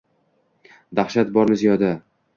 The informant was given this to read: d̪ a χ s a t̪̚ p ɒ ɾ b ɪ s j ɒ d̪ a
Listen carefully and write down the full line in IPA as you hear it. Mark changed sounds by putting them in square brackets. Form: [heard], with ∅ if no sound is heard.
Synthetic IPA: d̪ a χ [ʃ] a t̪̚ [b] ɒ ɾ [m] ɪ [z] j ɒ d̪ a